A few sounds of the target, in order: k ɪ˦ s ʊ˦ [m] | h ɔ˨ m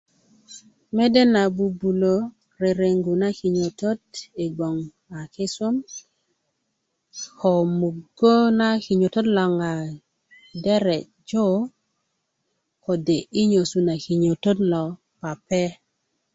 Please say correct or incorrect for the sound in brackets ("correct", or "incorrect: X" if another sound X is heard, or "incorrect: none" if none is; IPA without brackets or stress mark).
correct